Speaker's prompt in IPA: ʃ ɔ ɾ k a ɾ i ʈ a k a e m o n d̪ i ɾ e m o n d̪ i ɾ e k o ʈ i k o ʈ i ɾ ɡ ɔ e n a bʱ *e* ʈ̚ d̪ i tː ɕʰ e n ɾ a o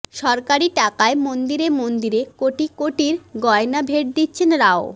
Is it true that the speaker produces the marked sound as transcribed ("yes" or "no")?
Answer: yes